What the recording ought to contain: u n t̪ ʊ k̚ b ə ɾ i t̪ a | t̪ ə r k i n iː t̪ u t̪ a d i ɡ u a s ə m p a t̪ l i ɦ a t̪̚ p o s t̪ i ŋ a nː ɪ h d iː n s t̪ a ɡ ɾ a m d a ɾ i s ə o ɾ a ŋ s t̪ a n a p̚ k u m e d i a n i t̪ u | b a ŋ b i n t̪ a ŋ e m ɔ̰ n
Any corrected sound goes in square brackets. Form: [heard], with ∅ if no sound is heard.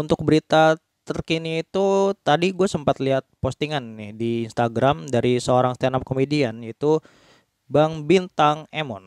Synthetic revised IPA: u n t̪ ʊ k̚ b ə ɾ i t̪ a | t̪ ə r k i n iː t̪ u t̪ a d i ɡ u a s ə m p a t̪ l i ɦ a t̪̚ p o s t̪ i ŋ a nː ɪ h d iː n s t̪ a ɡ ɾ a m d a ɾ i s ə o ɾ a ŋ s t̪ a n a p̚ k [o] m e d i a n i t̪ u | b a ŋ b i n t̪ a ŋ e m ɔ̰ n